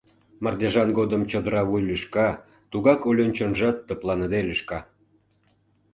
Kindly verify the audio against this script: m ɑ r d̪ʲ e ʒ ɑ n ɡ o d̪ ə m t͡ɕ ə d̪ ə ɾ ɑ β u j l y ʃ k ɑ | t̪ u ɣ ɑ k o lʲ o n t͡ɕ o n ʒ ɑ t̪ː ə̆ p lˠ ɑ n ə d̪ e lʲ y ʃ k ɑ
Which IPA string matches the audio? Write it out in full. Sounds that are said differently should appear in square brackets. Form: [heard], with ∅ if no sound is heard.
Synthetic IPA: m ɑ r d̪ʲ e ʒ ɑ n ɡ o d̪ ə m t͡ɕ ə d̪ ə ɾ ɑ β u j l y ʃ k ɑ | t̪ u ɣ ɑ k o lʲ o n t͡ɕ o n ʒ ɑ t̪ː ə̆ p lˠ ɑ n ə d̪ e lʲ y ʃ k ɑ